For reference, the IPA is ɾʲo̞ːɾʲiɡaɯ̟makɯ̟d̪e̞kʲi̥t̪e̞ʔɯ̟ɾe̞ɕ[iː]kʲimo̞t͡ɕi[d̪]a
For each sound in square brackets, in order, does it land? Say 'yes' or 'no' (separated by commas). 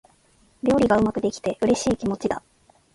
yes, yes